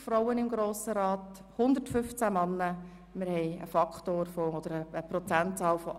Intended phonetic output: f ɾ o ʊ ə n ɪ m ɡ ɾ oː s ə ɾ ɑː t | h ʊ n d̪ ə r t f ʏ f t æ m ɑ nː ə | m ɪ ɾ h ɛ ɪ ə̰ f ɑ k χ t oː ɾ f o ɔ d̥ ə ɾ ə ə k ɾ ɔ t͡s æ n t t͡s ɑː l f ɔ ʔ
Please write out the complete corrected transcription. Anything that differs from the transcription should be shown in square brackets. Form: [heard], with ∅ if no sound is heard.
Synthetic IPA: f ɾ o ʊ ə n ɪ m ɡ ɾ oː s ə ɾ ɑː t | h ʊ n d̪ ə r t f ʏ f [t͡s] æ m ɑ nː ə | m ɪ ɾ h ɛ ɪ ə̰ f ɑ k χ t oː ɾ f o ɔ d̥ ə ɾ ə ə [p] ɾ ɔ t͡s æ n t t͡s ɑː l f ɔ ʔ

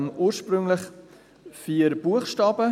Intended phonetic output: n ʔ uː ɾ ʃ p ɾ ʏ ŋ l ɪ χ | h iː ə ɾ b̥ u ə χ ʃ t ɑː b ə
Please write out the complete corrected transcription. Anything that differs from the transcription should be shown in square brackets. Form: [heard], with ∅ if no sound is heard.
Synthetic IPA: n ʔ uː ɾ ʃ p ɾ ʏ ŋ l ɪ χ | [f] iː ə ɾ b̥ u ə χ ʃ t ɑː b ə

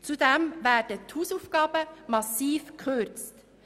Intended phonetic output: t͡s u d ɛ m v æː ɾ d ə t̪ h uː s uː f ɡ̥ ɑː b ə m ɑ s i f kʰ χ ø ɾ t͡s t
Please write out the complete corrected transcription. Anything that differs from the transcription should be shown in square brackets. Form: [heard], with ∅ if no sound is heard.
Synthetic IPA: t͡s u d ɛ m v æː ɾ d ə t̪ h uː s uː f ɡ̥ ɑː b ə m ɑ s [iː] f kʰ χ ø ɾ t͡s t

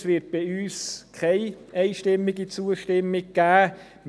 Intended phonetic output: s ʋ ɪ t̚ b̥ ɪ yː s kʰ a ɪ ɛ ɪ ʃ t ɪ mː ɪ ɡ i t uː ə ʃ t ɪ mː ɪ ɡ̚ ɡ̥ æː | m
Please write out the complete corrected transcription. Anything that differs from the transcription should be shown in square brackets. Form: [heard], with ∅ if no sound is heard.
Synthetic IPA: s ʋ ɪ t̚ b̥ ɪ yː s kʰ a ɪ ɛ ɪ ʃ t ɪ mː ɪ ɡ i [t͡s] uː ə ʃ t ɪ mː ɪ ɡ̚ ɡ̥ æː | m

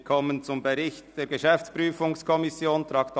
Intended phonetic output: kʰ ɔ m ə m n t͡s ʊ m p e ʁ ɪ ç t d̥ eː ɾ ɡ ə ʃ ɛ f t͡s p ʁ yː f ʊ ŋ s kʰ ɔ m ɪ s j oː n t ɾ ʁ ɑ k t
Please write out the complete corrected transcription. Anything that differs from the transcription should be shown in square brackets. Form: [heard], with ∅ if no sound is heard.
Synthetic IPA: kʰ ɔ m ə [∅] n t͡s ʊ m [b] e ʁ ɪ ç t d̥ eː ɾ ɡ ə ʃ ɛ f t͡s p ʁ yː f ʊ ŋ s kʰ ɔ m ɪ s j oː n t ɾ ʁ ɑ k t

